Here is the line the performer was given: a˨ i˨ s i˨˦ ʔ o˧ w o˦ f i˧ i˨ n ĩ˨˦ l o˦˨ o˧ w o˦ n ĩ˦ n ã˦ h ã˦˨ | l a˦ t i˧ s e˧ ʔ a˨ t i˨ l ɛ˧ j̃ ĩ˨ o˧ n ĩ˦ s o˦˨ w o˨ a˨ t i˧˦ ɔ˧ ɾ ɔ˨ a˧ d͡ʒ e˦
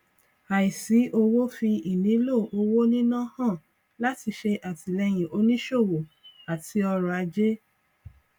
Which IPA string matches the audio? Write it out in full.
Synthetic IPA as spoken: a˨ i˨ s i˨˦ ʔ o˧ w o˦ f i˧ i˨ n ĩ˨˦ l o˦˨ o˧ w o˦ n ĩ˦ n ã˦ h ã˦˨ | l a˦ t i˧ ʃ e˧ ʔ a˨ t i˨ l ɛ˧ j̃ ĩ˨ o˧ n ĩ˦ ʃ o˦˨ w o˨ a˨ t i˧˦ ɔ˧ ɾ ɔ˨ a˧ d͡ʒ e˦